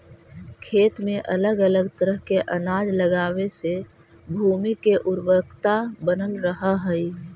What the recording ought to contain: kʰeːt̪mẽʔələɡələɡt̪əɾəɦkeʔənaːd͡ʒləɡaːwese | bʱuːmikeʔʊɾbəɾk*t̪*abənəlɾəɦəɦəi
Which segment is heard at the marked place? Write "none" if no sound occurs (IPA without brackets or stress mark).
t̪